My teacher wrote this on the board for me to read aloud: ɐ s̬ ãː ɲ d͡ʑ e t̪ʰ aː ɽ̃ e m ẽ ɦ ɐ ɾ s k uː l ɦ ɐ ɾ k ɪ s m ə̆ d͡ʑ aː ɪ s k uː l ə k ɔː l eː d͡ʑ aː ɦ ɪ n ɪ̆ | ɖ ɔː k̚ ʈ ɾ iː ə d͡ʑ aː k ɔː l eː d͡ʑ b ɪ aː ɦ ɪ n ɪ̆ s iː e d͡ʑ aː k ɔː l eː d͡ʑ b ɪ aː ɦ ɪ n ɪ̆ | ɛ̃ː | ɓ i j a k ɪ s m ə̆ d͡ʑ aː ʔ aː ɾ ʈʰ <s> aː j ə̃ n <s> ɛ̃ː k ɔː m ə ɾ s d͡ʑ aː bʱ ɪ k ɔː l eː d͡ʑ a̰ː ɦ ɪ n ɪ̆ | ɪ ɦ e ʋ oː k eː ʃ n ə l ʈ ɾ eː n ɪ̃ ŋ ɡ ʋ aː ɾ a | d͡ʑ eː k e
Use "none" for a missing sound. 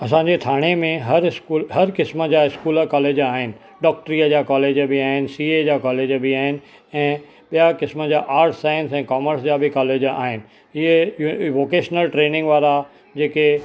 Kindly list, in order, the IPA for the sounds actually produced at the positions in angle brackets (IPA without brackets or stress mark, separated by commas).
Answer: s, s